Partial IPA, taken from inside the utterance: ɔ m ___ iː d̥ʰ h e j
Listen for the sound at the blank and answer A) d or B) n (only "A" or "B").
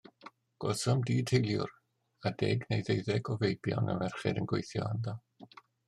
A